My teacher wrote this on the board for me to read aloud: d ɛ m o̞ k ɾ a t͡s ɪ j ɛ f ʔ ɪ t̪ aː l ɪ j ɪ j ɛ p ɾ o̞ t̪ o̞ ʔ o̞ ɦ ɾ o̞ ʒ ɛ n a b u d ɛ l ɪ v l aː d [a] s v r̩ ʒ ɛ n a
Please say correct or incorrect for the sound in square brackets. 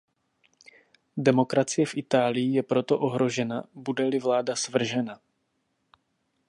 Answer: correct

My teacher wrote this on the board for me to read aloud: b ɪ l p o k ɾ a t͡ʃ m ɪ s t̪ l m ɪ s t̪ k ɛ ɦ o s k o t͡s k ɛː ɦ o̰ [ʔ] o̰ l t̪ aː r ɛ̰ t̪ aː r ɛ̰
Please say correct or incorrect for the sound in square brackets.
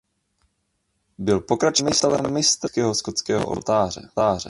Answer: correct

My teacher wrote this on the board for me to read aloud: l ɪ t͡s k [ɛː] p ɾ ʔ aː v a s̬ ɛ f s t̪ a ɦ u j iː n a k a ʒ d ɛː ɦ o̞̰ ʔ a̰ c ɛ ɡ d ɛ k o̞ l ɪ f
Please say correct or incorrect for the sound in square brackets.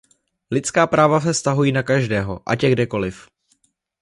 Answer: incorrect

